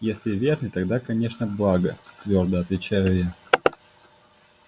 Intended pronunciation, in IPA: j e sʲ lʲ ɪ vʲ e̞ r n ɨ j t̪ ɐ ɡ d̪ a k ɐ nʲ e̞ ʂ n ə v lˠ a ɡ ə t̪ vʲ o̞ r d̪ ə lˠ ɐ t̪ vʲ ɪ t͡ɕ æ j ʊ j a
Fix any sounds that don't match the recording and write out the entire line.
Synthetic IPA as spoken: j e sʲ lʲ ɪ vʲ e̞ r n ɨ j t̪ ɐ ɡ d̪ a k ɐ nʲ e̞ ʂ n ə b lˠ a ɡ ə t̪ vʲ o̞ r d̪ ə ɐ t̪ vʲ ɪ t͡ɕ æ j ʊ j a